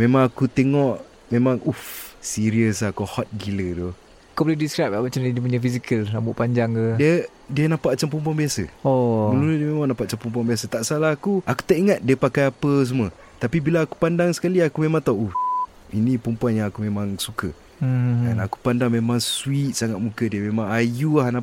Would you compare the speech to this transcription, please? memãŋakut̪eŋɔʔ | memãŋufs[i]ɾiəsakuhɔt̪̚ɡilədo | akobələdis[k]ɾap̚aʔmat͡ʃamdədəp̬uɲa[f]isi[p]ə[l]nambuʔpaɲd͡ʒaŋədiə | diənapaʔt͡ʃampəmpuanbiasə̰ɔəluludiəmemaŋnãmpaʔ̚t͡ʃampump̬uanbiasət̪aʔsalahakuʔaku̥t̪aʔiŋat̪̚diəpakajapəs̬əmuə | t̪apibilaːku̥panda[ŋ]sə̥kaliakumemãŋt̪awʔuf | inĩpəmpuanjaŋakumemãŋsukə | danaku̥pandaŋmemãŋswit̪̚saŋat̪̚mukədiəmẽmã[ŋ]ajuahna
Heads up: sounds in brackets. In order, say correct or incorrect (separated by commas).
correct, correct, correct, incorrect, correct, correct, correct